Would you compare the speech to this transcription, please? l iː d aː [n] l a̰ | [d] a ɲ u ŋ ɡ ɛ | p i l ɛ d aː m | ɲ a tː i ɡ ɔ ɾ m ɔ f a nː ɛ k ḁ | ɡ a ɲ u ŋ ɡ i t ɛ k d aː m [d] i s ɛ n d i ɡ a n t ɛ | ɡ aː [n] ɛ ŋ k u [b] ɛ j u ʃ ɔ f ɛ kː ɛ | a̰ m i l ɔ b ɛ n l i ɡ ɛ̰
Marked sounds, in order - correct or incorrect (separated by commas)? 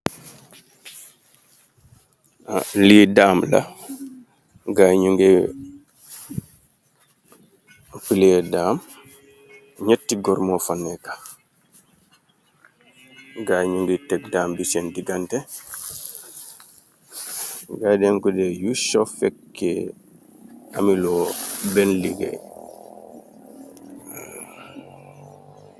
incorrect, incorrect, incorrect, incorrect, incorrect